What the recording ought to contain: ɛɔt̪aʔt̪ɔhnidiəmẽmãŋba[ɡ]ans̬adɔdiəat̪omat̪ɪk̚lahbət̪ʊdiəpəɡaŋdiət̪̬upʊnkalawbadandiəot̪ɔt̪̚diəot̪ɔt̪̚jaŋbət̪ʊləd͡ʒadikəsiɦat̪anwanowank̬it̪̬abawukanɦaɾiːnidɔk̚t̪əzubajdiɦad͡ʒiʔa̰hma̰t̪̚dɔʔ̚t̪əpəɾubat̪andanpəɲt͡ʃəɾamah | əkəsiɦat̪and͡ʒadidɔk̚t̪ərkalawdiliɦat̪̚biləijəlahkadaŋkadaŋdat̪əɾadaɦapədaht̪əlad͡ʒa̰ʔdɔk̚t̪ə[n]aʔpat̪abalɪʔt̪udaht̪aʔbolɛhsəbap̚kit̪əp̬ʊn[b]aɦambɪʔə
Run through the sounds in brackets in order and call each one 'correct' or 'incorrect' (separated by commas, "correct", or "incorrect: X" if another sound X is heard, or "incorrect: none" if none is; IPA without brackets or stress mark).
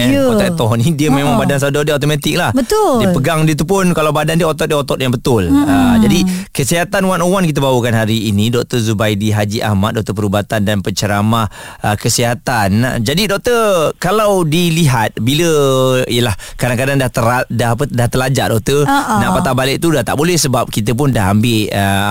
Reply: incorrect: d, correct, incorrect: d